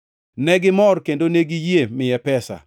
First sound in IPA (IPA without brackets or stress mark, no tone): n